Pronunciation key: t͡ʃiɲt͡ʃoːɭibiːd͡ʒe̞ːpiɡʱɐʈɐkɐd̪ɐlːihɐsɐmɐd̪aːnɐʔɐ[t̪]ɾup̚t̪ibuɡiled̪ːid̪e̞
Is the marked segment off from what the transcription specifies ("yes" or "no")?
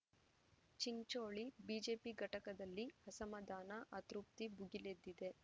no